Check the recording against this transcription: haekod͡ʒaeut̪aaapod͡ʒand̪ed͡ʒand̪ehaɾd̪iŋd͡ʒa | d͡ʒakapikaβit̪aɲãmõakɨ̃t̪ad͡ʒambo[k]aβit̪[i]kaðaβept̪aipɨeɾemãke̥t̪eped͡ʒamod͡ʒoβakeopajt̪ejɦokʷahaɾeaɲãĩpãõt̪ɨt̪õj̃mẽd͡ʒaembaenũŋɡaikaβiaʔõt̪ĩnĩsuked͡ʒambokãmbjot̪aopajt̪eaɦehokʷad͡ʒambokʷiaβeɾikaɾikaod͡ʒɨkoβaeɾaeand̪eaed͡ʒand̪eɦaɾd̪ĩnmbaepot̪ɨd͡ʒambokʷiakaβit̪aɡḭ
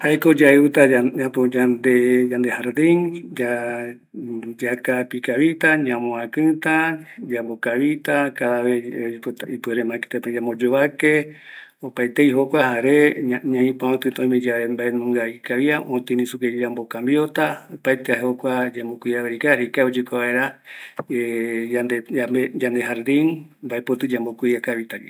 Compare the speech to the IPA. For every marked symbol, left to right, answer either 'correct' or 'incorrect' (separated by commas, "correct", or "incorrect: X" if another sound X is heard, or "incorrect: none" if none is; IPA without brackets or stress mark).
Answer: correct, incorrect: a